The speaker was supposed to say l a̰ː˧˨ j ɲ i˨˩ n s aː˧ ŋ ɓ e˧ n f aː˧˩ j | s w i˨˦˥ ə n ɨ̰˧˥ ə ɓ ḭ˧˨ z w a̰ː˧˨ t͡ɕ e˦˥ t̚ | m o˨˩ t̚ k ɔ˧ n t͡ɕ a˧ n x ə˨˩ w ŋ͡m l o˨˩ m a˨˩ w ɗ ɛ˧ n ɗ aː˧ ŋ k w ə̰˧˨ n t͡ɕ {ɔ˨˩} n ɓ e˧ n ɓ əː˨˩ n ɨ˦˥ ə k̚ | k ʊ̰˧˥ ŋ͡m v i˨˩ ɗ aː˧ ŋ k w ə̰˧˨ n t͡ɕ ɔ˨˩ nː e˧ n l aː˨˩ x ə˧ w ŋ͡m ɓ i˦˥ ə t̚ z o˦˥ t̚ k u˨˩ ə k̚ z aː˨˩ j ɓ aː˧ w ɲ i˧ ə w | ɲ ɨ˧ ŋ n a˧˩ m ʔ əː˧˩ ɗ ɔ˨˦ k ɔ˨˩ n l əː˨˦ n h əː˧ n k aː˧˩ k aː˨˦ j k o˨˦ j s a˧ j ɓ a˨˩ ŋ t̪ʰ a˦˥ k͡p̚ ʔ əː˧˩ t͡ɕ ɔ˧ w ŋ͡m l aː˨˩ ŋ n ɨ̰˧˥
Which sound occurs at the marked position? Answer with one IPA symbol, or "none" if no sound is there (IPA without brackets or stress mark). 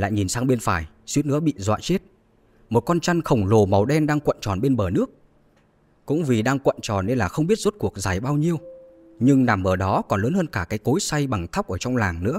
ɔ˨˩